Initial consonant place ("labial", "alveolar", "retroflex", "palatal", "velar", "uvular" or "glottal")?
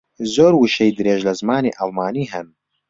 alveolar